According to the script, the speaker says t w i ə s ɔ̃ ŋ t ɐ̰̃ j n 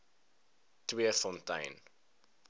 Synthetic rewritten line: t w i ə f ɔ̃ n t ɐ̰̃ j n